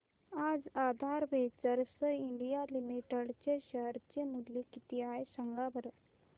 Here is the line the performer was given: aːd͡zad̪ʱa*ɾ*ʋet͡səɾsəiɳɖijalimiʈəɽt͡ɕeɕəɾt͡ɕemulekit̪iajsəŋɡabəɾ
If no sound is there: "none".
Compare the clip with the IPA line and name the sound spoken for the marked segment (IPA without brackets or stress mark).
ɾ